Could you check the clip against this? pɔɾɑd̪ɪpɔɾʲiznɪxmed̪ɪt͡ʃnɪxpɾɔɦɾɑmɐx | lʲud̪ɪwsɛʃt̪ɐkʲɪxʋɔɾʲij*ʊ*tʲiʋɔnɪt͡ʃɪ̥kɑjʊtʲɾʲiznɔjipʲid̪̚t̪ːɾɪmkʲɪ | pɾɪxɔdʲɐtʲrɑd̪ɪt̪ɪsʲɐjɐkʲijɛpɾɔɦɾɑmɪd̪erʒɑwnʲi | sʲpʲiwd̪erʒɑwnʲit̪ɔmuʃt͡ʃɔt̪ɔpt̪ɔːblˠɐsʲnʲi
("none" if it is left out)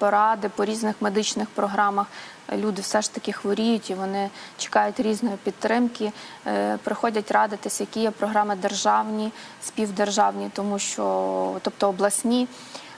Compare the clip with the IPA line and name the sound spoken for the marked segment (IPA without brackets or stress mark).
ʊ